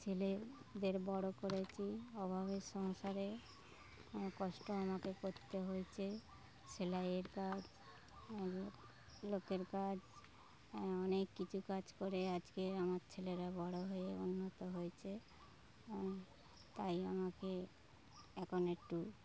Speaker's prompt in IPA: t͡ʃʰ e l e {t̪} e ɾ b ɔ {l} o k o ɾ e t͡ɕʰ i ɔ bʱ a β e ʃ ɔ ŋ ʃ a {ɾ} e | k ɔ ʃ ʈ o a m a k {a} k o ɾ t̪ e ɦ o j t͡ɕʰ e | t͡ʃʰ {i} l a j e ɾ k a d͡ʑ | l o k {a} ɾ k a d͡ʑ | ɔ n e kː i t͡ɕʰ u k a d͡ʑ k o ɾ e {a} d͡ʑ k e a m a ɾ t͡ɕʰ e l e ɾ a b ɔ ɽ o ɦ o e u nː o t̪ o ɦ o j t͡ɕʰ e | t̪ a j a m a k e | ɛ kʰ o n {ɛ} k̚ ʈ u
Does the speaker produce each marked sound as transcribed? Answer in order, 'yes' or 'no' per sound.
no, no, yes, no, no, no, yes, no

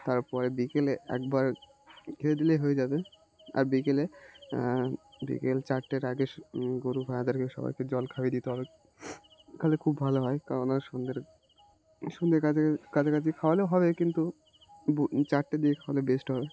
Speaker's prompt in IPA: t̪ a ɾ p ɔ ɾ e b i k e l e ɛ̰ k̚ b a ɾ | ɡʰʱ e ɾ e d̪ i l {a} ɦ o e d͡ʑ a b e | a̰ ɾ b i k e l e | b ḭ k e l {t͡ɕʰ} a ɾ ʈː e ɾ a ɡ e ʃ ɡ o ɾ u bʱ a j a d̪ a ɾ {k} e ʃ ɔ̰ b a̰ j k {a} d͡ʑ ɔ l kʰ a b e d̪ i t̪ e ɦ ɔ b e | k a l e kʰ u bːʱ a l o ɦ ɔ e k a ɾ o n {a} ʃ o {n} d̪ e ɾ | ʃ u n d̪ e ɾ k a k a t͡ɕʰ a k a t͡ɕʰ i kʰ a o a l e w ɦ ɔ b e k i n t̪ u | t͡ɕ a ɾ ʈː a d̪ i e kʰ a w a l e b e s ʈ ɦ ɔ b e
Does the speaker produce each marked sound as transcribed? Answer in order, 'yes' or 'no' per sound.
no, no, yes, no, yes, yes

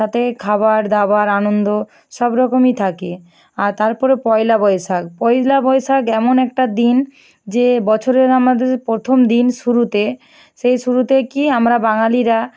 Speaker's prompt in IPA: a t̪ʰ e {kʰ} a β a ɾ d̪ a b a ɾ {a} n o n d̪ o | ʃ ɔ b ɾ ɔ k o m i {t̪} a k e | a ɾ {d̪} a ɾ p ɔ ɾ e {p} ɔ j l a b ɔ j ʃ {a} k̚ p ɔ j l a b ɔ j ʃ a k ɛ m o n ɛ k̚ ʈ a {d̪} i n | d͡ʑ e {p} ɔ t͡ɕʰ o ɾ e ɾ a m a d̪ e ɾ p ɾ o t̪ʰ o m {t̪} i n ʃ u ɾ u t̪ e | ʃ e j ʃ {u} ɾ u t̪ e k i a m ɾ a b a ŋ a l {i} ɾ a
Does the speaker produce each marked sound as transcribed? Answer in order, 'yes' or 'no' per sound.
yes, yes, no, no, yes, yes, yes, no, no, yes, yes

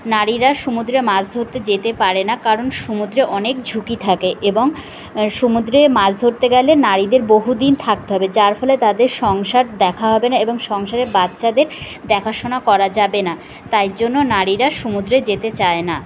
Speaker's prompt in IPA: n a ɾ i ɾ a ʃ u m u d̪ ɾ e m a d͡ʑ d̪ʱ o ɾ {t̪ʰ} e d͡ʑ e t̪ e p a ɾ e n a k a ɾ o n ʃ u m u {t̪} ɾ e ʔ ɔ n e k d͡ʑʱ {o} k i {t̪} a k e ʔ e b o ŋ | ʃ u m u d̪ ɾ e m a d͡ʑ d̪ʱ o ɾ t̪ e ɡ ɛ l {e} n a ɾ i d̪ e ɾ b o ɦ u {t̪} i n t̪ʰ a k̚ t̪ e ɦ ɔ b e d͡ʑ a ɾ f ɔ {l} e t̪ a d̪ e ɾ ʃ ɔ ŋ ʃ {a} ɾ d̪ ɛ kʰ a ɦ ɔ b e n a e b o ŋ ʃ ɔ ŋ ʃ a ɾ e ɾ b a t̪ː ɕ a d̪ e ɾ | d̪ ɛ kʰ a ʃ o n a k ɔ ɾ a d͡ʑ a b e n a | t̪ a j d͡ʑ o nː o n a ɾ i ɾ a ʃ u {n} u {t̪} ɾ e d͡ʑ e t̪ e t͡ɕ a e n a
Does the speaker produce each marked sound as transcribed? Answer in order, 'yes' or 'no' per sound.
no, no, no, no, yes, no, yes, yes, no, no

